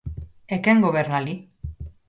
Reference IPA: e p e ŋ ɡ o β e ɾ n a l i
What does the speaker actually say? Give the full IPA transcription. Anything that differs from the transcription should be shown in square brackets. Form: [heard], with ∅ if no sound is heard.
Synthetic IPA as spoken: e [k] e ŋ ɡ o β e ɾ n a l i